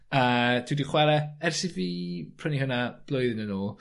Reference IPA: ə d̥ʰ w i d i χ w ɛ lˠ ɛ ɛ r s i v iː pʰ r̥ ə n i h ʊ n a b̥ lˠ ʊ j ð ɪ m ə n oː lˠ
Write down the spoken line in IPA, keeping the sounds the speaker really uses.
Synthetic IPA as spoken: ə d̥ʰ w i d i χ w ɛ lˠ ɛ ɛ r s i v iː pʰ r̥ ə n i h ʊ n a b̥ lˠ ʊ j ð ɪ n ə n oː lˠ